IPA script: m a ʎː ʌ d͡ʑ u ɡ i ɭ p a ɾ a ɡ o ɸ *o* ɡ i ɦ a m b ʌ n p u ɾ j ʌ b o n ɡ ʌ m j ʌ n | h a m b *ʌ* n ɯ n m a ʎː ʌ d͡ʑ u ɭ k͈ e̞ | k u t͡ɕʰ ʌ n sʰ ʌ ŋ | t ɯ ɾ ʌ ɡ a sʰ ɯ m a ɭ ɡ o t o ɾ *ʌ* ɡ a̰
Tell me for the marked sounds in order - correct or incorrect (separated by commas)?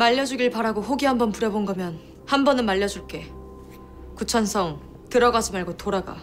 correct, correct, incorrect